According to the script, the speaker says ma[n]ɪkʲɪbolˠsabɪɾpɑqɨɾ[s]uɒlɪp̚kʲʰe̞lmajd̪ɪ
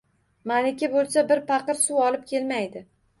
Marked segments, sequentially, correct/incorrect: correct, correct

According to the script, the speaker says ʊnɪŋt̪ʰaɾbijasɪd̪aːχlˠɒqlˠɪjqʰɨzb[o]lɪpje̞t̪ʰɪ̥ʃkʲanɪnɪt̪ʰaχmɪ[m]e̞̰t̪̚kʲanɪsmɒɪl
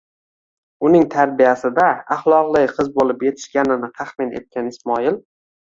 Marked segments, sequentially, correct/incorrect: correct, incorrect: n

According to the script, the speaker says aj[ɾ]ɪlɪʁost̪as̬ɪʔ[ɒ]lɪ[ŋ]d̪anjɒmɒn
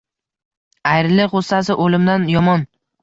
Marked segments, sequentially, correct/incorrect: correct, incorrect: o, incorrect: m

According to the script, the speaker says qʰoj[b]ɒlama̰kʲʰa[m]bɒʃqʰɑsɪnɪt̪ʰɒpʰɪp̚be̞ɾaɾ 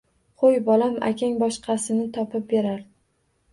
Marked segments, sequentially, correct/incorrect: correct, incorrect: ŋ

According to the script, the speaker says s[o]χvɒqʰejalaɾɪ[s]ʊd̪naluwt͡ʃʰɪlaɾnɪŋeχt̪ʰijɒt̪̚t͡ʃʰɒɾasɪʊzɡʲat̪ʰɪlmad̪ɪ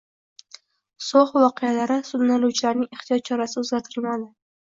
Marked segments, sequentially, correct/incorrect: correct, correct

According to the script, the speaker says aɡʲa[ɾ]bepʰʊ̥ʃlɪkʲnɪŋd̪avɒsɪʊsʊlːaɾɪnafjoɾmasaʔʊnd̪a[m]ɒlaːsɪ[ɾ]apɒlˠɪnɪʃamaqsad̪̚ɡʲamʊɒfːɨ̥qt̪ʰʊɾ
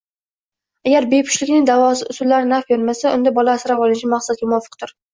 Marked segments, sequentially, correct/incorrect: correct, incorrect: b, correct

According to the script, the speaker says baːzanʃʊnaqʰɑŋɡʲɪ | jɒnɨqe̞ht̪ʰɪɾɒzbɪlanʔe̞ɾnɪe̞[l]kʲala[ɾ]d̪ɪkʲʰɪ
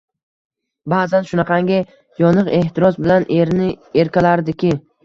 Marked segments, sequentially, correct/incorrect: incorrect: ɾ, correct

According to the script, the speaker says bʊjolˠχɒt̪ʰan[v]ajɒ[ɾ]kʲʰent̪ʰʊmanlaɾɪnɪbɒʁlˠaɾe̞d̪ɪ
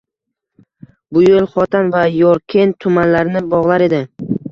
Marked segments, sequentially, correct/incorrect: correct, correct

